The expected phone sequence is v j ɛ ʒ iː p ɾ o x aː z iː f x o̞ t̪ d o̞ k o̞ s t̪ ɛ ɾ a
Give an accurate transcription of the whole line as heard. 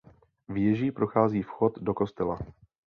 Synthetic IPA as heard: v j ɛ ʒ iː p ɾ o x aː z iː f x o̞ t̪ d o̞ k o̞ s t̪ ɛ l a